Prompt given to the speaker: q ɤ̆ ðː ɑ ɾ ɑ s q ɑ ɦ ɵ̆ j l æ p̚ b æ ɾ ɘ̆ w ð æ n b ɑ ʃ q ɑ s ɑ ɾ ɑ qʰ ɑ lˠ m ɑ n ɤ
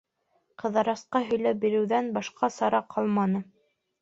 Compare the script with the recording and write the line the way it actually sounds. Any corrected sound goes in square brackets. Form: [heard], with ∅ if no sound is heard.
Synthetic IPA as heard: q ɤ̆ [ð] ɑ ɾ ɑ s q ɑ ɦ ɵ̆ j l æ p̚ b [i] ɾ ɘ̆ w ð æ n b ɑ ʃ q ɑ s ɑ ɾ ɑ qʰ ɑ lˠ m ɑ n ɤ